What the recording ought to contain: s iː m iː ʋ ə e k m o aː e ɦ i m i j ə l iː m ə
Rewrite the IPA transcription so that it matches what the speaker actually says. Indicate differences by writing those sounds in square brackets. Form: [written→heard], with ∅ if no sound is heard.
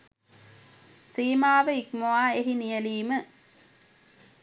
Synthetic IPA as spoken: s iː m [iː→aː] ʋ ə [e→i] k m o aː e ɦ i [m→n] i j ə l iː m ə

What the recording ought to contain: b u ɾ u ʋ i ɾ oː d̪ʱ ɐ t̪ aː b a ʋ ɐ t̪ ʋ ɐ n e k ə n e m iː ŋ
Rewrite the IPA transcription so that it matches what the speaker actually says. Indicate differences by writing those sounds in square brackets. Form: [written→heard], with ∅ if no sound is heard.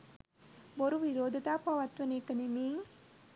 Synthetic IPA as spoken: b [u→o] ɾ u ʋ i ɾ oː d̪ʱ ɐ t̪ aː [b→p] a ʋ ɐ t̪ ʋ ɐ n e k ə n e m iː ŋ

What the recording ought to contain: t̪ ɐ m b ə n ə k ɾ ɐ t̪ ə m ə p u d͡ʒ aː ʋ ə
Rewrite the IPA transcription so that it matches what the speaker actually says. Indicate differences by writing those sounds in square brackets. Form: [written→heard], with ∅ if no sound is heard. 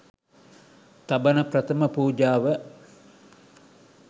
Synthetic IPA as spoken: t̪ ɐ [m→∅] b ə n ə [k→p] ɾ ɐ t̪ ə m ə p [u→uː] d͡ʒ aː ʋ ə

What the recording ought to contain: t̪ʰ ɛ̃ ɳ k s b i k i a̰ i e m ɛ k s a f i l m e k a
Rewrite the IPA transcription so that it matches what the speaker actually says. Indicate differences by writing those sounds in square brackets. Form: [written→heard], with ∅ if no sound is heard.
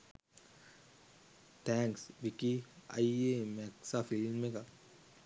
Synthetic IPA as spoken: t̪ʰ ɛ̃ [ɳ→ŋ] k s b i k i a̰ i e m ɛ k s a f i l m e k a

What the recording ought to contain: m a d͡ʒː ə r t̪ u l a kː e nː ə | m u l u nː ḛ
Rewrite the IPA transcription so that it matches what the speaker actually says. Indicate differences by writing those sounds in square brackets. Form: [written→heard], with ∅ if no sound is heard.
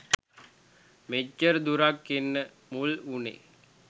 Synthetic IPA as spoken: m [a→e] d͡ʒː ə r [t̪→d̪] u [l→ɾ] a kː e nː ə | m u l u [nː→n] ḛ

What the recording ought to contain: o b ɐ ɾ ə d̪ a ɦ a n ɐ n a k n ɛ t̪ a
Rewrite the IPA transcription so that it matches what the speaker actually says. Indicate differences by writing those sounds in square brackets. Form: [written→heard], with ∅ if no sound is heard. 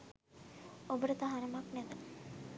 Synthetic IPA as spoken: o b [ɐ→ə] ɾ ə [d̪→t̪] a ɦ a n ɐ [n→m] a k n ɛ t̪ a

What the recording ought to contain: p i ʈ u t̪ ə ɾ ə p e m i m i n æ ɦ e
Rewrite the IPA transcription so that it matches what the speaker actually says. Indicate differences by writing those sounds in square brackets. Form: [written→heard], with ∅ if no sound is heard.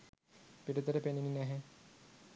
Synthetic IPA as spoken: p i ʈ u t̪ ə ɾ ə p e [m→n] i [m→n] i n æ ɦ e

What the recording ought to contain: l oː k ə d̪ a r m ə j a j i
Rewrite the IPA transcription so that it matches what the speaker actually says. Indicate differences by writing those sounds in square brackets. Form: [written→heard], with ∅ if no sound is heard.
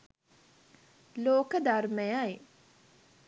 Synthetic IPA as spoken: l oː k ə d̪ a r m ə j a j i

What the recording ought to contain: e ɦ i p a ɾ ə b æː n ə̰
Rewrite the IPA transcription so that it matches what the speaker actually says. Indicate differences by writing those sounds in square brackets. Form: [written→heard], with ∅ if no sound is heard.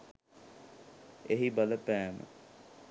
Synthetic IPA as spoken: e ɦ i [p→b] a [ɾ→l] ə [b→p] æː [n→m] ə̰

